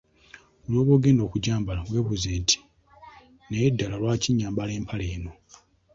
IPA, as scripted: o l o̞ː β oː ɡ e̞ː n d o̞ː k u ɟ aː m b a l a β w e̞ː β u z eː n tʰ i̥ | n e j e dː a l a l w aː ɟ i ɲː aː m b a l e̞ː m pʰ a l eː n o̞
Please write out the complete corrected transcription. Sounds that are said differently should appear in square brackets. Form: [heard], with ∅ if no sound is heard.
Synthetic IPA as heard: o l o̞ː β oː ɡ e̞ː n d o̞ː k u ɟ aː m b a l a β w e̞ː β u z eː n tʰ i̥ | n e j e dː a l a l w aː [c] i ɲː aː m b a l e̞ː m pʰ a l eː n o̞